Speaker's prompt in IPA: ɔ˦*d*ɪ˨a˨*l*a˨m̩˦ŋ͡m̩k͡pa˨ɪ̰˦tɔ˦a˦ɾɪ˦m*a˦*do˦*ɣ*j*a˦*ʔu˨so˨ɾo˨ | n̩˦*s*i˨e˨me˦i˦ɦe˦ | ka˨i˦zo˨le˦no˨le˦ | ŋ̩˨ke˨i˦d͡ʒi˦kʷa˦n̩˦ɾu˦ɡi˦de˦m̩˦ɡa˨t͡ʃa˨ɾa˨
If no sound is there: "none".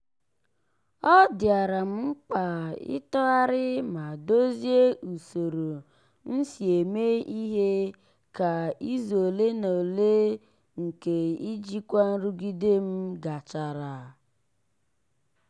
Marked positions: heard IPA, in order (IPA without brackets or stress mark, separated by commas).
d, ɾ, a˨, z, e˦, s